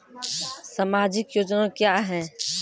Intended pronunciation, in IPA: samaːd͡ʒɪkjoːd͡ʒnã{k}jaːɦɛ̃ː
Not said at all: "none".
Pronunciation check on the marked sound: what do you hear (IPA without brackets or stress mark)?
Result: k